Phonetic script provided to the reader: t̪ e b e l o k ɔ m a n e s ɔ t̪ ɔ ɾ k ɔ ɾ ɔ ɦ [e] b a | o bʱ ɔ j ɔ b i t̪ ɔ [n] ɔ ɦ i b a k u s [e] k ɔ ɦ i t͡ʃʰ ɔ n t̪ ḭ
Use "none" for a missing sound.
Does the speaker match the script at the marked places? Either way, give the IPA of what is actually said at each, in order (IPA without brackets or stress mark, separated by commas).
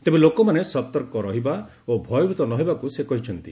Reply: i, n, e